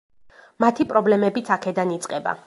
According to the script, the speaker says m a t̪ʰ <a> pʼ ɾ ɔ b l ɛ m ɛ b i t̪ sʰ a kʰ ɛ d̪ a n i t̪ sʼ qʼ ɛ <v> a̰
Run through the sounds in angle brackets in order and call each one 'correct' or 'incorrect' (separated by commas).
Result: incorrect, incorrect